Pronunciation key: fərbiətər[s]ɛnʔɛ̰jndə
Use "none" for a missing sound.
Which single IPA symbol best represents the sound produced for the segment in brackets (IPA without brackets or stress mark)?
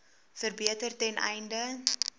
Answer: t